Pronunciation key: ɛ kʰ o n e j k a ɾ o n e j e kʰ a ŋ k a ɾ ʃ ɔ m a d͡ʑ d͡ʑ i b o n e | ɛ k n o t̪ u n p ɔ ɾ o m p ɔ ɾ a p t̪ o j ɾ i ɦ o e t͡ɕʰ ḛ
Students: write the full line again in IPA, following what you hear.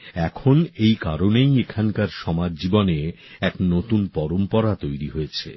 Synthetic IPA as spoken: ɛ kʰ o n e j k a ɾ o n e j e kʰ a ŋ k a ɾ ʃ ɔ m a d͡ʑ d͡ʑ i b o n e | ɛ k n o t̪ u n p ɔ ɾ o m p ɔ ɾ a t̪ o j ɾ i ɦ o e t͡ɕʰ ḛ